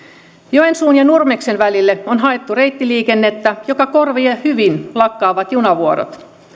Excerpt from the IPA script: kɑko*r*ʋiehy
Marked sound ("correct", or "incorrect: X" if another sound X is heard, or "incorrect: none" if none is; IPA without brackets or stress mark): correct